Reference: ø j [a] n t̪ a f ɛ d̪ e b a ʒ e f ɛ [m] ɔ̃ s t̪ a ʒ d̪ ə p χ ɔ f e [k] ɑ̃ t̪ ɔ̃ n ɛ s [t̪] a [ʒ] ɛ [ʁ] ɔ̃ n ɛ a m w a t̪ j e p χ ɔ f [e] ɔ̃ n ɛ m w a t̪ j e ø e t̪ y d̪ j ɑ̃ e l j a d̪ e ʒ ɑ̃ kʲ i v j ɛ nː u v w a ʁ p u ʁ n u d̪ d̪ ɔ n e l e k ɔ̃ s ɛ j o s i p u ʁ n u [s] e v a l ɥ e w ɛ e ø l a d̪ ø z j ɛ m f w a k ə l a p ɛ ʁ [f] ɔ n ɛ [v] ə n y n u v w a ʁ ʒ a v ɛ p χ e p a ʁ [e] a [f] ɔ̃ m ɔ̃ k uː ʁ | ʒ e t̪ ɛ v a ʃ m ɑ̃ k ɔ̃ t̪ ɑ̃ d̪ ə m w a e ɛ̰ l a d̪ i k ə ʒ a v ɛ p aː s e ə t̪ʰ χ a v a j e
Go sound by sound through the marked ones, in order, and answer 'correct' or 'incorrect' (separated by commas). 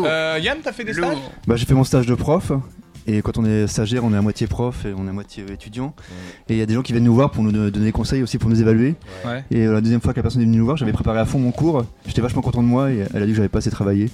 correct, correct, correct, correct, correct, correct, correct, incorrect, incorrect, correct, correct, correct